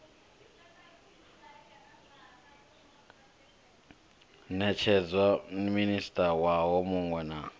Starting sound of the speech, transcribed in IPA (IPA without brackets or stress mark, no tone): n